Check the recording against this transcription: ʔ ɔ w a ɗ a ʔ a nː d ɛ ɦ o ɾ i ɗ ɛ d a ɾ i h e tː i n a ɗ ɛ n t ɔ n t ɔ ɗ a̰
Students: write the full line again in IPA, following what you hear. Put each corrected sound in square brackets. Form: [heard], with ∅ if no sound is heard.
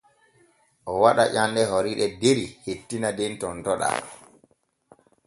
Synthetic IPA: ʔ ɔ w a ɗ a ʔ a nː d ɛ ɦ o ɾ i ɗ ɛ d [e] ɾ i h e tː i n a [d] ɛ n t ɔ n t ɔ ɗ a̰